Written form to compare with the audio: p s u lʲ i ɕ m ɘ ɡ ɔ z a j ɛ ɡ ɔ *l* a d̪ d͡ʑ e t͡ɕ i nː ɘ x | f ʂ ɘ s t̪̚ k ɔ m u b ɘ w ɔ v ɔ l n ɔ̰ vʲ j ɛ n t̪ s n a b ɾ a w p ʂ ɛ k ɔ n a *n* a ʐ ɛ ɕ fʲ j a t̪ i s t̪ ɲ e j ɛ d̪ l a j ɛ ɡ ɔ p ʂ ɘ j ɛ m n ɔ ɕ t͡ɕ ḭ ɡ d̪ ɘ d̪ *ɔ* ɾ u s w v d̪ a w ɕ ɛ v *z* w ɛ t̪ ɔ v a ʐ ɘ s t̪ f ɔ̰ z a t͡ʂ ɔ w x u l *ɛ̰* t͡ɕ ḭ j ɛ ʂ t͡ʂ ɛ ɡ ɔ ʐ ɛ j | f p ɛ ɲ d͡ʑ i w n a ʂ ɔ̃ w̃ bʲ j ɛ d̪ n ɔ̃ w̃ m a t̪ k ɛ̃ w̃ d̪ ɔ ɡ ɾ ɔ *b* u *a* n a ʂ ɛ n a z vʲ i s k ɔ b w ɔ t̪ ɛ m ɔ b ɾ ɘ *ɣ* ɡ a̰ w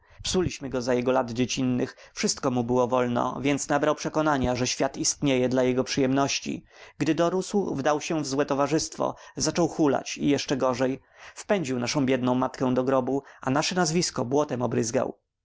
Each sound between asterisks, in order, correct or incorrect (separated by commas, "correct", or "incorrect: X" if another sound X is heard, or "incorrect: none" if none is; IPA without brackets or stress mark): correct, incorrect: ɲ, correct, correct, incorrect: a̰, correct, correct, incorrect: z